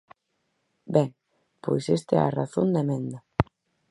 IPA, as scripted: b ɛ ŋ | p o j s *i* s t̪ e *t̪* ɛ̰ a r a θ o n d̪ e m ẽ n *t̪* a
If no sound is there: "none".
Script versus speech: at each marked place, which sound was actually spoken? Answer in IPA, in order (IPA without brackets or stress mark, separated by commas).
e, none, d̪